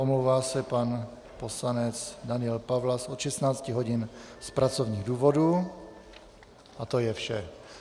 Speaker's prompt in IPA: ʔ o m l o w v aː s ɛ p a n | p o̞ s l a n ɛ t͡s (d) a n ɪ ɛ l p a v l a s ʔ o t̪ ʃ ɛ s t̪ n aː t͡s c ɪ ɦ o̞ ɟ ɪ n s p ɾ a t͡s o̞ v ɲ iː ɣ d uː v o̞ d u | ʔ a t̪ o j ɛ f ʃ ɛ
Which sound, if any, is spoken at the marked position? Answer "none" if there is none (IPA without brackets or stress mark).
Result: d